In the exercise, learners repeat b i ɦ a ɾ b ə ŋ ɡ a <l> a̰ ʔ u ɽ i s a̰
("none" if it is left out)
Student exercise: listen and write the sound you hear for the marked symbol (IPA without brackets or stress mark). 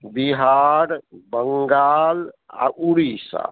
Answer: l